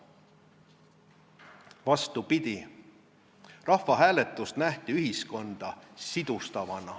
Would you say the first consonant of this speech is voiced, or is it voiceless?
voiced